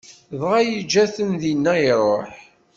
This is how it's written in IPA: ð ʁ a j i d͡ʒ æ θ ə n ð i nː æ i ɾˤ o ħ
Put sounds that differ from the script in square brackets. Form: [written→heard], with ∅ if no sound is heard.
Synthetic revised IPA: ð ʁ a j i d͡ʒ æ θ ə n ð i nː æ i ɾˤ o ħ